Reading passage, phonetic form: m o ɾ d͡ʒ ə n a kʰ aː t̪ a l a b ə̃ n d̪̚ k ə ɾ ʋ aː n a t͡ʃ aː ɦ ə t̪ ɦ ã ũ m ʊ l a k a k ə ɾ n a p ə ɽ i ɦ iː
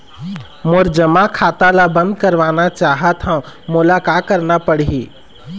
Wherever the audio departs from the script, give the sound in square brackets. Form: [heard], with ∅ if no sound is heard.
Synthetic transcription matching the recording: m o ɾ d͡ʒ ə [m] a kʰ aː t̪ a l a b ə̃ n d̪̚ k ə ɾ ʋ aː n a t͡ʃ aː ɦ ə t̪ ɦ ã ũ m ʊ l a k a k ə ɾ n a p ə ɽ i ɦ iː